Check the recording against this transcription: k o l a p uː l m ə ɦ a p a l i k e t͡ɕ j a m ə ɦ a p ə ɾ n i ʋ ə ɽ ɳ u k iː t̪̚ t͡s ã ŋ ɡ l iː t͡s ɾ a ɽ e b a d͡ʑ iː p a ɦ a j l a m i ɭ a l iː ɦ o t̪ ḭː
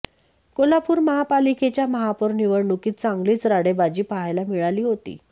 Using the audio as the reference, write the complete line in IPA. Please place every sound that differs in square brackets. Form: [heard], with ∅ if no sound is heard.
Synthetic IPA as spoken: k o l a p uː [ɾ] m ə ɦ a p a l i k e t͡ɕ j a m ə ɦ a p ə ɾ n i ʋ ə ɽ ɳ u k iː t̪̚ t͡s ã ŋ ɡ l iː t͡s ɾ a ɽ e b a d͡ʑ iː p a ɦ a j l a m i ɭ a l iː ɦ o t̪ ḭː